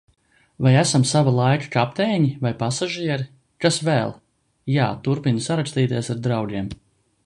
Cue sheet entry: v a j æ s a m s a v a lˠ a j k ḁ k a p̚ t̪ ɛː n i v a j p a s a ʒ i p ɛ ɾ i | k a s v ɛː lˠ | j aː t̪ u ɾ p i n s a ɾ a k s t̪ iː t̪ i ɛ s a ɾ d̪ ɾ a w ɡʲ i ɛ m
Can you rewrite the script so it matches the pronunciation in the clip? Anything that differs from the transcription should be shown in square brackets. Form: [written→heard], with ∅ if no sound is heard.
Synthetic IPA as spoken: v a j æ s a m s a v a lˠ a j k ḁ k a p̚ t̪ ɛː [n→ɲ] i v a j p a s a ʒ i [p→∅] ɛ ɾ i | k a s v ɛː lˠ | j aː t̪ u ɾ p i n s a ɾ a k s t̪ iː t̪ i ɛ s a ɾ d̪ ɾ a w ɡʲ i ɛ m

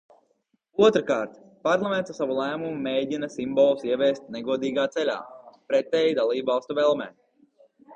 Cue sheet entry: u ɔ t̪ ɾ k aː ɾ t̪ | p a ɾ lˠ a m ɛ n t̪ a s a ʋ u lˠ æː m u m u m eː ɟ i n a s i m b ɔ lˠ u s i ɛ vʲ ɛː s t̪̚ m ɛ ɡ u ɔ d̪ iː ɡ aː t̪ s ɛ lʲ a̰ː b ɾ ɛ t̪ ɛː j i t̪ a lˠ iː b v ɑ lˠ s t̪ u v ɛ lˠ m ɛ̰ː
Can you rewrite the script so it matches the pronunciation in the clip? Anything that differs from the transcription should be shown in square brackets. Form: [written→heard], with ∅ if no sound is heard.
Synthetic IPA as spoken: u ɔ t̪ ɾ k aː ɾ t̪ | p a ɾ lˠ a m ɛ n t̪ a s a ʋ u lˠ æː m u m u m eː ɟ i n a s i m b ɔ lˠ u s i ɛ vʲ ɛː s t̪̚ [m→n] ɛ ɡ u ɔ d̪ iː ɡ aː t̪ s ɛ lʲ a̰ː [b→p] ɾ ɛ t̪ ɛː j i [t̪→d̪] a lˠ iː b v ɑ lˠ s t̪ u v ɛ lˠ m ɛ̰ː

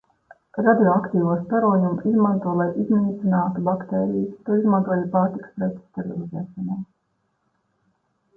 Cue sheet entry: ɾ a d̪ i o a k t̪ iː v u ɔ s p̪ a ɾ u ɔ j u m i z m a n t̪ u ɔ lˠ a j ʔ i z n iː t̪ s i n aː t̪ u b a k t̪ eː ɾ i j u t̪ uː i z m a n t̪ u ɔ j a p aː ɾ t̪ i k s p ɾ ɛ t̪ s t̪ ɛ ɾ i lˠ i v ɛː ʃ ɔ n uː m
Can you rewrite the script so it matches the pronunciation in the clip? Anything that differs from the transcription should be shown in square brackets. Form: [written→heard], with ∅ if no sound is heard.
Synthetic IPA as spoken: ɾ a d̪ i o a k t̪ iː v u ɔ s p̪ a ɾ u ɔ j u m i z m a n t̪ u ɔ lˠ a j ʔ i z n iː t̪ s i n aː t̪ u b a k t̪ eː ɾ i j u t̪ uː i z m a n t̪ u ɔ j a p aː ɾ t̪ i k s p ɾ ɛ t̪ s t̪ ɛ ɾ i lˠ i [v→z] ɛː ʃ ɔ n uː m

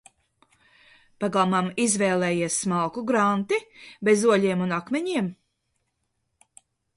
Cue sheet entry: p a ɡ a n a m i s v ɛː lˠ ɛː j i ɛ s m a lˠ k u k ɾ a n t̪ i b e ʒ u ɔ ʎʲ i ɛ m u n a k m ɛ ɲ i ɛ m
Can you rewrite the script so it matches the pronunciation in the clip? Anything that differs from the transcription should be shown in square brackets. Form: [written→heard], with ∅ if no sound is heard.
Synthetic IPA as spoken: p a ɡ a [n→m] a m i [s→z] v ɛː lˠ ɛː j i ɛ s m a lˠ k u [k→ɡ] ɾ a n t̪ i b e [ʒ→z] u ɔ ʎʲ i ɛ m u n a k m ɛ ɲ i ɛ m

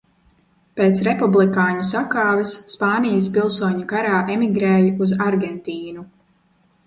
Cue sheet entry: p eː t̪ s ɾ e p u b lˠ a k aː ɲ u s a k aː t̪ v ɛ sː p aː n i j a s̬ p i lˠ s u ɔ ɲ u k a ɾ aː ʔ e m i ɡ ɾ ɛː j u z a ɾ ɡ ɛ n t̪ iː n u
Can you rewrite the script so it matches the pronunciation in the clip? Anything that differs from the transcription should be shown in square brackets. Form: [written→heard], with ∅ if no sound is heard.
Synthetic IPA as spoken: p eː t̪ s ɾ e p u b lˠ [a→i] k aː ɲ u s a k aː [t̪→∅] v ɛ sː p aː n i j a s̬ p i lˠ s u ɔ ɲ u k a ɾ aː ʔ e m i ɡ ɾ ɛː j u z a ɾ ɡ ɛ n t̪ iː n u

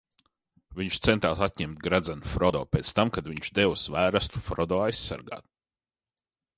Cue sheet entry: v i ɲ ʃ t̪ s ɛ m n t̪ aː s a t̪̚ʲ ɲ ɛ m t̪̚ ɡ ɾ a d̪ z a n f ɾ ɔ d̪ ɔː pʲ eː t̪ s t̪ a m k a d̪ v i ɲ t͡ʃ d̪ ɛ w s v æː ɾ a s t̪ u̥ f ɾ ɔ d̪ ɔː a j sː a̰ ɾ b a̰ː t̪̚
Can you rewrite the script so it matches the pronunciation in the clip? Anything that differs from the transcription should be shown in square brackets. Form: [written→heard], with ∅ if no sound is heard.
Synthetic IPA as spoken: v i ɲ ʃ t̪ s ɛ [m→∅] n t̪ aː s a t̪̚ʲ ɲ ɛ m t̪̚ ɡ ɾ a d̪ z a n f ɾ ɔ d̪ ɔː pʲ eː t̪ s t̪ a m k a d̪ v i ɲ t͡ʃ d̪ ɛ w s v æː ɾ a s t̪ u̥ f ɾ ɔ d̪ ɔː a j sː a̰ ɾ [b→ɡ] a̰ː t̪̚

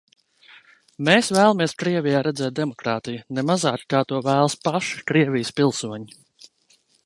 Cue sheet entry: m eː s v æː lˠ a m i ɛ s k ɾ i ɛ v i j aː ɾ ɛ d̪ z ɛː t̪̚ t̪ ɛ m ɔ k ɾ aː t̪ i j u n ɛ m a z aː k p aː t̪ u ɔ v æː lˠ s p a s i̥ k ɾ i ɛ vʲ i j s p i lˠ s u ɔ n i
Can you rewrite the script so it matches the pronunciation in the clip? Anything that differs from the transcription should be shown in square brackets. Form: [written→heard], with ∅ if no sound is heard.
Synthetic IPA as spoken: m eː s v æː lˠ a m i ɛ s k ɾ i ɛ v i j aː ɾ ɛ d̪ z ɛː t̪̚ [t̪→d̪] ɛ m ɔ k ɾ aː t̪ i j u n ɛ m a z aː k [p→k] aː t̪ u ɔ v æː lˠ s p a [s→ʃ] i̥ k ɾ i ɛ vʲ i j s p i lˠ s u ɔ [n→ɲ] i

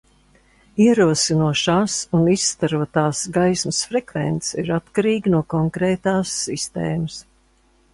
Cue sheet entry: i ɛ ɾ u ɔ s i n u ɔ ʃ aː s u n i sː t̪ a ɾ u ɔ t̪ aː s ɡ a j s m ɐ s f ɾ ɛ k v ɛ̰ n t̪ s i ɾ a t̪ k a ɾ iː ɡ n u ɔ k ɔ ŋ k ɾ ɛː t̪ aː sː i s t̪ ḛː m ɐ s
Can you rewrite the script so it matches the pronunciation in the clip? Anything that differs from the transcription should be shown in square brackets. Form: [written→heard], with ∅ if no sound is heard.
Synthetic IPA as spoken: i ɛ ɾ u ɔ s i n u ɔ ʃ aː s u n i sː t̪ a ɾ u ɔ t̪ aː s ɡ a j s m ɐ s f ɾ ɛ k v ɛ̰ n t̪ s i ɾ a t̪ k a ɾ iː ɡ n u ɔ k ɔ ŋ k ɾ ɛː t̪ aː sː i s t̪ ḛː m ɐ s

